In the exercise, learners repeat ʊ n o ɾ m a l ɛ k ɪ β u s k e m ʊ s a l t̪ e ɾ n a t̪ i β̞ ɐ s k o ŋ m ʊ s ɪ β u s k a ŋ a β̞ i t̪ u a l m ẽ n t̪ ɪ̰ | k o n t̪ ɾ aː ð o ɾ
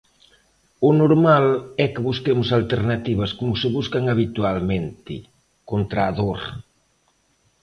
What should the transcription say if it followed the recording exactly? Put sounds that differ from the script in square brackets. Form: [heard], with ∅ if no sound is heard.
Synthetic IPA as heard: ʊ n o ɾ m a l ɛ k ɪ β u s k e m ʊ s a l t̪ e ɾ n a t̪ i β̞ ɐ s k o [∅] m ʊ s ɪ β u s k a ŋ a β̞ i t̪ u a l m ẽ n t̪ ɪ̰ | k o n t̪ ɾ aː ð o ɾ

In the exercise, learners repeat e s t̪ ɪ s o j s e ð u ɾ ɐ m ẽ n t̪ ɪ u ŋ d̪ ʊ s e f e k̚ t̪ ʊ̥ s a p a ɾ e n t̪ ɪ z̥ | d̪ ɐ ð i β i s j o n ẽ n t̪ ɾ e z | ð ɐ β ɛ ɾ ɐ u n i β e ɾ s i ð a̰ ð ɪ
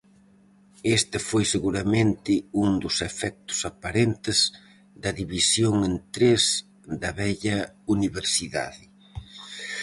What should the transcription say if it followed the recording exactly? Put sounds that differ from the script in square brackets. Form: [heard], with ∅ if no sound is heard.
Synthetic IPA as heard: e s t̪ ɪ [f] o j s e [ɣ] u ɾ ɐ m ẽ n t̪ ɪ u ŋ d̪ ʊ s e f [ɛ] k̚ t̪ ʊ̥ s a p a ɾ e n t̪ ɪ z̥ | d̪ ɐ ð i β i s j o [ŋ] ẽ n t̪ ɾ e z | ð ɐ β ɛ [ʎ] ɐ u n i β e ɾ s i ð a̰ ð ɪ

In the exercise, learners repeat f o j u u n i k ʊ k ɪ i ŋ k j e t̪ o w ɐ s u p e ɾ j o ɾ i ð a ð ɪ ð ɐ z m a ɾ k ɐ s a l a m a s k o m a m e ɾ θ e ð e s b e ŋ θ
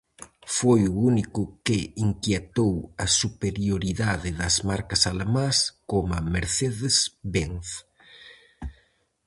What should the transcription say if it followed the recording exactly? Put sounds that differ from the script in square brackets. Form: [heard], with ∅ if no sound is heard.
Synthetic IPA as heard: f o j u u n i k ʊ k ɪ i ŋ k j e t̪ o w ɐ s u p e ɾ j o ɾ i ð a ð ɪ ð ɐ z m a ɾ k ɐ s a l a m a s k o m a m e ɾ θ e ð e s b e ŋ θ

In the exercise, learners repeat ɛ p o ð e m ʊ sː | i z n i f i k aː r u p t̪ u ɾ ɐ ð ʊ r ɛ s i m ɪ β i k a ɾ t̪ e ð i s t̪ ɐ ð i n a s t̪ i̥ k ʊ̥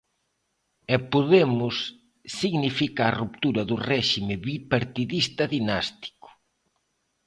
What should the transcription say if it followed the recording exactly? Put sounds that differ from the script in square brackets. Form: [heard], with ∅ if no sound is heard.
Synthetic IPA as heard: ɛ p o ð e m ʊ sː | i [ɣ] n i f i k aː r u p t̪ u ɾ ɐ ð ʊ r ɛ [ʃ] i m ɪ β i [p] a ɾ t̪ [i] ð i s t̪ ɐ ð i n a s t̪ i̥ k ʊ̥

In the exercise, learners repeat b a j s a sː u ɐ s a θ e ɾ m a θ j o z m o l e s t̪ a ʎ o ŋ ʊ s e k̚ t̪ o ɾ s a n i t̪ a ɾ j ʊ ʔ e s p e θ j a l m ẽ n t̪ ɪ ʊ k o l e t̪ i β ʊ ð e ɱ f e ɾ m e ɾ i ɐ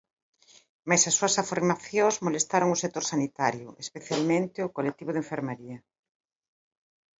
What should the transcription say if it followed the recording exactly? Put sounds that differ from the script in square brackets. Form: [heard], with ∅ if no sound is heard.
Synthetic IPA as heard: [m] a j s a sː u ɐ s a [f] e ɾ m a θ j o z m o l e s t̪ a [ɾ] o ŋ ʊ s e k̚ t̪ o ɾ s a n i t̪ a ɾ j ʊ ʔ e s p e θ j a l m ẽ n t̪ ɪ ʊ k o l e t̪ i β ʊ ð e ɱ f e ɾ m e ɾ i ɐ

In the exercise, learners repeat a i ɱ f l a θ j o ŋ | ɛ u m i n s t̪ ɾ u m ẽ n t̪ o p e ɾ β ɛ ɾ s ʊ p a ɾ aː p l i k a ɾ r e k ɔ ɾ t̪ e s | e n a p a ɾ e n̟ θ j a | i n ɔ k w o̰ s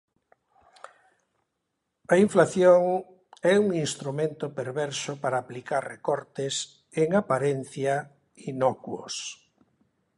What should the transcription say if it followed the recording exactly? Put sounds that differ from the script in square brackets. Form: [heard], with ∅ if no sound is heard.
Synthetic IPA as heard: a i ɱ f l a θ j o ŋ | ɛ u [ŋ] i n s t̪ ɾ u m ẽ n t̪ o p e ɾ β ɛ ɾ s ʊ p a ɾ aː p l i k a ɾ r e k ɔ ɾ t̪ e s | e [ŋ] a p a ɾ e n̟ θ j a | i n ɔ k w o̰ s

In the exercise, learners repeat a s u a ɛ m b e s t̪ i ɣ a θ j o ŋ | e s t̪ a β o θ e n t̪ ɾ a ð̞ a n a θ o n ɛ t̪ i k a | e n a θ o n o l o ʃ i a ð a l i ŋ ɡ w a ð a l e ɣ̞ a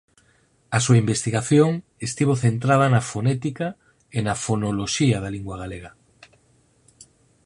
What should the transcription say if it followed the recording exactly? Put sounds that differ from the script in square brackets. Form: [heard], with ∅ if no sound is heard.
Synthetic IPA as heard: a s u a [i] m b e s t̪ i ɣ a θ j o ŋ | e s t̪ [i] β o θ e n t̪ ɾ a ð̞ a n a [f] o n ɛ t̪ i k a | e n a [f] o n o l o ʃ i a ð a l i ŋ ɡ w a [ɣ] a l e ɣ̞ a

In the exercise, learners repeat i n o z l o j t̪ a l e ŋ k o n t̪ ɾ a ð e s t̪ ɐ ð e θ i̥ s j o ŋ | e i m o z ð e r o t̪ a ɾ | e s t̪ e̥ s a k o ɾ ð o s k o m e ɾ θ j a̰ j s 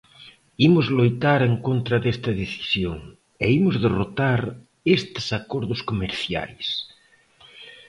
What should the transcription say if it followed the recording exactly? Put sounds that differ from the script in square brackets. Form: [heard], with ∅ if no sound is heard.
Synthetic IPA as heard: i [m] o z l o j t̪ a [ɾ] e ŋ k o n t̪ ɾ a ð e s t̪ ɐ ð e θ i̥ s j o ŋ | e i m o z ð e r o t̪ a ɾ | e s t̪ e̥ s a k o ɾ ð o s k o m e ɾ θ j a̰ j s

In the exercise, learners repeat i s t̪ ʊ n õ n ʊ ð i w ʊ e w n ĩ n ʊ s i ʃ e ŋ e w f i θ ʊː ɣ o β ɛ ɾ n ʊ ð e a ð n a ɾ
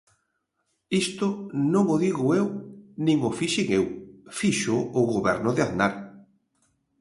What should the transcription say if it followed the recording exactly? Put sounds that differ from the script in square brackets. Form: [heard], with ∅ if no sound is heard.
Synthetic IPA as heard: i s t̪ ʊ n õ [ŋ] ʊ ð i [ɣ] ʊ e w n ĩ [ŋ] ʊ [f] i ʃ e ŋ e w f i [ʃ] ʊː ɣ o β ɛ ɾ n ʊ ð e a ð n a ɾ

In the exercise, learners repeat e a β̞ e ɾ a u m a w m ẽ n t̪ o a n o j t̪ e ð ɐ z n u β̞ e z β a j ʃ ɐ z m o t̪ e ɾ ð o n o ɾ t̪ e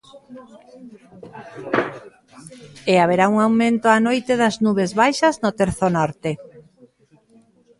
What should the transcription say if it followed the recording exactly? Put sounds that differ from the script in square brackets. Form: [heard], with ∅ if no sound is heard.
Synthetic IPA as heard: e a β̞ e ɾ a u [ŋ] a w m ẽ n t̪ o a n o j t̪ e ð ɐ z n u β̞ e z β a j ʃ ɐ z [n] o t̪ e ɾ [θ] o n [ɔ] ɾ t̪ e

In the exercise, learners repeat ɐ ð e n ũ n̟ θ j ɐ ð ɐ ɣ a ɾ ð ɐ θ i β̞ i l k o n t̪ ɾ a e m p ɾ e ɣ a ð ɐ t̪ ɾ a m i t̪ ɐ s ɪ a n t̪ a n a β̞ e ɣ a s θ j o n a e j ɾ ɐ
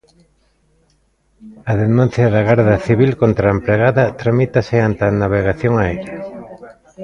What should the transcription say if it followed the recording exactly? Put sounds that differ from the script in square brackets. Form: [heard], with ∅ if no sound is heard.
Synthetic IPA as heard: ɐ ð e n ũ n̟ θ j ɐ ð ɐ ɣ a ɾ ð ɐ θ i β̞ i l k o n t̪ ɾ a e m p ɾ e ɣ a ð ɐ t̪ ɾ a m i t̪ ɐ s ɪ a n t̪ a n a β̞ e ɣ a [∅] θ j o [ŋ] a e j ɾ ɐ

